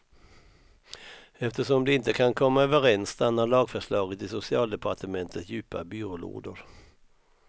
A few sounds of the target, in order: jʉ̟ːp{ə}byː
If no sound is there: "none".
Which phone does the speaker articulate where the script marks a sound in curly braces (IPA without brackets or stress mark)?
a